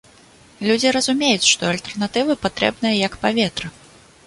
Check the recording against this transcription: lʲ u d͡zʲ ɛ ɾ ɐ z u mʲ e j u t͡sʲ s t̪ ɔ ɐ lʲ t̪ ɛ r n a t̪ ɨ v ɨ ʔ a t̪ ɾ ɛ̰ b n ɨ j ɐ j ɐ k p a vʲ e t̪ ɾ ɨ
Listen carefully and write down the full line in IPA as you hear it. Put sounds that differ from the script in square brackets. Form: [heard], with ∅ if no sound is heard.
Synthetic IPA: lʲ u d͡zʲ [i] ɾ ɐ z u mʲ e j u t͡sʲ [ʂ] t̪ ɔ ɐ lʲ t̪ ɛ r n a t̪ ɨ v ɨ [p] a t̪ ɾ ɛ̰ b n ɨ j ɐ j ɐ k p a vʲ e t̪ ɾ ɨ